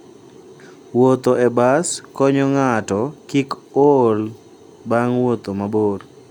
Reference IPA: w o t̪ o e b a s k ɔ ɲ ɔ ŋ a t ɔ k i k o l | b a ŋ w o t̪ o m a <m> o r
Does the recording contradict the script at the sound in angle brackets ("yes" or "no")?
yes